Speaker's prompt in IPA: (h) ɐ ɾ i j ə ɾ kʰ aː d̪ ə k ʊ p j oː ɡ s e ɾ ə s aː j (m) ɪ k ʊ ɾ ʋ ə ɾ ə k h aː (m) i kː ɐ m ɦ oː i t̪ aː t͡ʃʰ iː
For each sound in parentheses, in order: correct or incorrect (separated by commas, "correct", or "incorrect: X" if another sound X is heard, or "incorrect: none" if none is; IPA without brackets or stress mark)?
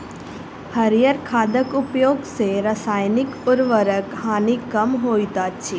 correct, incorrect: n, incorrect: n